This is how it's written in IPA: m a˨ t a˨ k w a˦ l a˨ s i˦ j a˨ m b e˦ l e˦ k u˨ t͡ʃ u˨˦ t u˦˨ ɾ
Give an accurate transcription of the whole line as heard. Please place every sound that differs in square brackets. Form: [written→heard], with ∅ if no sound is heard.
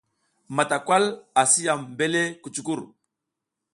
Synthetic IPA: m a˨ t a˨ k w a˦ l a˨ s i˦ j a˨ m b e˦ l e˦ k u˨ t͡ʃ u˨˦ [t→k] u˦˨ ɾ

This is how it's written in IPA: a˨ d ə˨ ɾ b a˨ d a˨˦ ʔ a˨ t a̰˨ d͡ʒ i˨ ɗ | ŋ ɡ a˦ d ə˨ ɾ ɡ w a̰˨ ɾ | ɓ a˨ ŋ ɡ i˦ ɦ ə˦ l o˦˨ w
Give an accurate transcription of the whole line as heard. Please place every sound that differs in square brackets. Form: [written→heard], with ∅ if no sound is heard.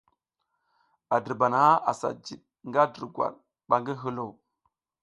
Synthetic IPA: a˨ d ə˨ ɾ b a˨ [d→n] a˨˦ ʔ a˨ [t→s] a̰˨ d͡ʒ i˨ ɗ | ŋ ɡ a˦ d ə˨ ɾ ɡ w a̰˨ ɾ | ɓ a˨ ŋ ɡ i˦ ɦ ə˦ l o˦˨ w

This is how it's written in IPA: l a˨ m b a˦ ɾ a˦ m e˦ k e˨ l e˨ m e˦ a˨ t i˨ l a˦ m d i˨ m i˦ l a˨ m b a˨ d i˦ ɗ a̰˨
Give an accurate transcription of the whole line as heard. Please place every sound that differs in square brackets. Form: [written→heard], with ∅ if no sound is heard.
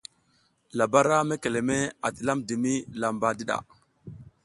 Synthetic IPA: l a˨ [m→∅] b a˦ ɾ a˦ m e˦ k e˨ l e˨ m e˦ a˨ t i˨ l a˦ m d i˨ m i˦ l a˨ m b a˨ d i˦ ɗ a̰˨

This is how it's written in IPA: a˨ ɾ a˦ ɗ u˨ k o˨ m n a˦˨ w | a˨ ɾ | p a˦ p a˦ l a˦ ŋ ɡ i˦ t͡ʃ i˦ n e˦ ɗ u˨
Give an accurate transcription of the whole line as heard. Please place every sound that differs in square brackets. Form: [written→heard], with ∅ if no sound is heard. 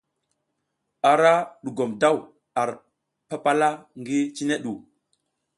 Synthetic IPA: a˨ ɾ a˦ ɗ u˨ [k→ɡ] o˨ m [n→d] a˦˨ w | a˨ ɾ | p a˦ p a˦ l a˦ ŋ ɡ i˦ t͡ʃ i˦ n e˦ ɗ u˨

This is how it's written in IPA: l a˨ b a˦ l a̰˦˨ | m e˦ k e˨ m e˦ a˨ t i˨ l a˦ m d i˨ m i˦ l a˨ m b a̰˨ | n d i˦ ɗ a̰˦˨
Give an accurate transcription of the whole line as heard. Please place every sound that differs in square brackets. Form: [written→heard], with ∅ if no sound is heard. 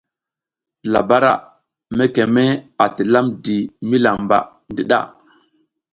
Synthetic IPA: l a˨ b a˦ [l→ɾ] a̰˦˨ | m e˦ k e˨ m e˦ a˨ t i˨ l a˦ m d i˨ m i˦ l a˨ m b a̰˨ | n d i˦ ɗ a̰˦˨

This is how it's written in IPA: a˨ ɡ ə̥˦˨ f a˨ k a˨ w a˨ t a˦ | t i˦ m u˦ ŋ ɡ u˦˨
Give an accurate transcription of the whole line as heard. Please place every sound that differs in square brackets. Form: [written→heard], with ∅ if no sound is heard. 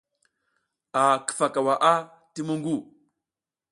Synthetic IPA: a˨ [ɡ→k] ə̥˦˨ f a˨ k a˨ w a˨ [t→ʔ] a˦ | t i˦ m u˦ ŋ ɡ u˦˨

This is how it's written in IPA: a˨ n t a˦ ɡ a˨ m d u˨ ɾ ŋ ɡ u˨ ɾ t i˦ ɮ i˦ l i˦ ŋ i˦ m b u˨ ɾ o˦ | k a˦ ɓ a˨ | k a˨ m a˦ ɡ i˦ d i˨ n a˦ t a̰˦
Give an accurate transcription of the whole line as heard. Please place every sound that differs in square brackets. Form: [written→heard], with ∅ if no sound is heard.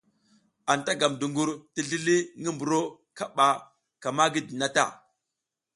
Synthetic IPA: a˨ n t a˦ ɡ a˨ m d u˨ [ɾ→∅] ŋ ɡ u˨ ɾ t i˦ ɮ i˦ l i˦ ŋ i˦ m b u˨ ɾ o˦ | k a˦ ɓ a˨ | k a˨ m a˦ ɡ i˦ d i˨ n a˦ t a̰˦

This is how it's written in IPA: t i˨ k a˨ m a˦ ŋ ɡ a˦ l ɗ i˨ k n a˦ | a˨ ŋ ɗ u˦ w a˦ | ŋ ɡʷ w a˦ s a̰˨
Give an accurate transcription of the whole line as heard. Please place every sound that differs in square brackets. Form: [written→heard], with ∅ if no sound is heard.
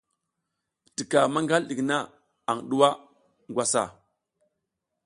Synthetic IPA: t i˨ k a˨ m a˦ ŋ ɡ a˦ l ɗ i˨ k n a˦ | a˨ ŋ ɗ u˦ w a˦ | ŋ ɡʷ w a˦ s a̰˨

